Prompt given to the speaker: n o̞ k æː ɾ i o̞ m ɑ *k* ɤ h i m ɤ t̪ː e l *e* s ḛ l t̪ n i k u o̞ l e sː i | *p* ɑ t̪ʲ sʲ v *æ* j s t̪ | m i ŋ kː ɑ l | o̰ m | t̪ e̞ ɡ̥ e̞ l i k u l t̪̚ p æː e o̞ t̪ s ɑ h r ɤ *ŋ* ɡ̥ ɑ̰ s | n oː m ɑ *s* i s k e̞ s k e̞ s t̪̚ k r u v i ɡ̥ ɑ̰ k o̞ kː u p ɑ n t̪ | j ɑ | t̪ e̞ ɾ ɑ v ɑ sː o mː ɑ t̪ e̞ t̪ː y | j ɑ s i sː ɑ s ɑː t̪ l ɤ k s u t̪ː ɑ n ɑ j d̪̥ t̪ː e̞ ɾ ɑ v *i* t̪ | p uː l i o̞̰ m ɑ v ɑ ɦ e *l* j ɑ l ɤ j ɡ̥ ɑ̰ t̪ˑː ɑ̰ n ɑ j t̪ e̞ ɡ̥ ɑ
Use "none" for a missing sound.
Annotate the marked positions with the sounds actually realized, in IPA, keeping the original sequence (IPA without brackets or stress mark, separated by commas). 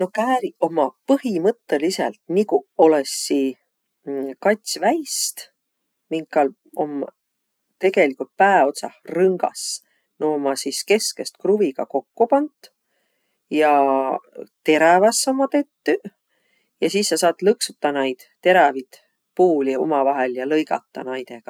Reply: p, i, k, æ, ŋ, s, i, l